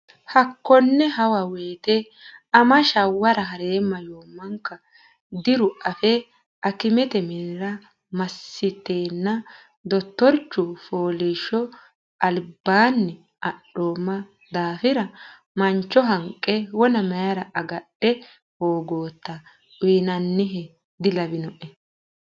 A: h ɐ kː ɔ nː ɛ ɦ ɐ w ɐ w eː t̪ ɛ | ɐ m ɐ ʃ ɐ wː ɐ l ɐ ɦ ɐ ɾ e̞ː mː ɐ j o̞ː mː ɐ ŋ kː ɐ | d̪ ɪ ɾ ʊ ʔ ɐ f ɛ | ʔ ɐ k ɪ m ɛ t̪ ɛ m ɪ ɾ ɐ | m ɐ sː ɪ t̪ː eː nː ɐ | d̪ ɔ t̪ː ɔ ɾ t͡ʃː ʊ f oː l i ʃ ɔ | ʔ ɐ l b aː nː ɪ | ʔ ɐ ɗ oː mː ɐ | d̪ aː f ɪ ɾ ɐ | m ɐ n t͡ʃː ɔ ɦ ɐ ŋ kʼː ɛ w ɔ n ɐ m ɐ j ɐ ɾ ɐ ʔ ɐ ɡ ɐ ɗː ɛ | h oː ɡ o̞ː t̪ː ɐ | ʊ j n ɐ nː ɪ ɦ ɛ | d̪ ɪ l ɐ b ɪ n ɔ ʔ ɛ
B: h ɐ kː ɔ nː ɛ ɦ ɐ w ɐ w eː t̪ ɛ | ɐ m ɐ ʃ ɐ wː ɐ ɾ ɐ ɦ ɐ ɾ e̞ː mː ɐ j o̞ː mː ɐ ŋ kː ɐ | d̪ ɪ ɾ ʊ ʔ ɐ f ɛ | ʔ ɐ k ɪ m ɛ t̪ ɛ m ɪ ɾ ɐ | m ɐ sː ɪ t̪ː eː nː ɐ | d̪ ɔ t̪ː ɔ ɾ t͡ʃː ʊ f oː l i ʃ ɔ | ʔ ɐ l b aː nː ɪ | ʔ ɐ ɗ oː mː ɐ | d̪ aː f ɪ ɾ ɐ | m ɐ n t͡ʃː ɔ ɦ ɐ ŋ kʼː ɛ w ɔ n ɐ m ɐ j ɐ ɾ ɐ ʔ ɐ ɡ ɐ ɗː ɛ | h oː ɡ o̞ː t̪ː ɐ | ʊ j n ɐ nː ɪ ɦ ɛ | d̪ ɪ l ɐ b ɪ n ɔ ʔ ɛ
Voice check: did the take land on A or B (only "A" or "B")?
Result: B